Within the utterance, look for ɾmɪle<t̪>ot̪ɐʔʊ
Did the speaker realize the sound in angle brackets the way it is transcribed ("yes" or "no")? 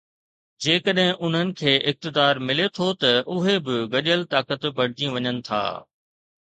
no